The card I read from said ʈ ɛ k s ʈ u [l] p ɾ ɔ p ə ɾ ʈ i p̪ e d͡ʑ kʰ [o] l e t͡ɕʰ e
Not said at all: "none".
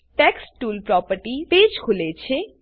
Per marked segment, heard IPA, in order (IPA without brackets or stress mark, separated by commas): l, u